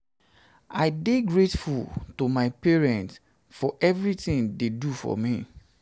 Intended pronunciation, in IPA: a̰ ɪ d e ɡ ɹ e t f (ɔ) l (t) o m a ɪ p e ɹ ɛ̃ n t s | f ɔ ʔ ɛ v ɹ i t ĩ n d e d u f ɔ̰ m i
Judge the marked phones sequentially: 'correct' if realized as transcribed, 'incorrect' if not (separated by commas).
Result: incorrect, correct